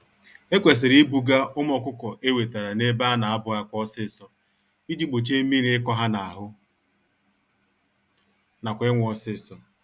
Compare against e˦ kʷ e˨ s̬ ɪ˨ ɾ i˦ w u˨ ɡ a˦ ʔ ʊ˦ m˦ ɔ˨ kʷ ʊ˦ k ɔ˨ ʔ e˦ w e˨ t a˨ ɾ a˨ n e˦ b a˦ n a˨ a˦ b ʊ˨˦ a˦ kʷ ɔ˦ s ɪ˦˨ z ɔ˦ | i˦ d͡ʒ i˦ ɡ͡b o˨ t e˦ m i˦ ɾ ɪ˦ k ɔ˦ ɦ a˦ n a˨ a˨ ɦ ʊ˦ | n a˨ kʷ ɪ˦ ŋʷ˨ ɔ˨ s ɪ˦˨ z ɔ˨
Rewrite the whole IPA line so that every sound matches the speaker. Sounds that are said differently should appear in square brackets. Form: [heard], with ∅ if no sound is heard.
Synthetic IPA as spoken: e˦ kʷ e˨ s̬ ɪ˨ ɾ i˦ [b] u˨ ɡ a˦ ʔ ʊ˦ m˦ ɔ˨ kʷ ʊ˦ k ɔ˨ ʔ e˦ w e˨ t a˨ ɾ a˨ n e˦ b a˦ n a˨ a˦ b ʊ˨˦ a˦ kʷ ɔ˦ s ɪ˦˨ [s] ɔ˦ | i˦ d͡ʒ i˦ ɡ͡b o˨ [t͡ʃ] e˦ m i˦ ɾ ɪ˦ k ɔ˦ ɦ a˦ n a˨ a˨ ɦ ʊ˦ | n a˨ kʷ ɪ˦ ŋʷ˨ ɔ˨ s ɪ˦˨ [s] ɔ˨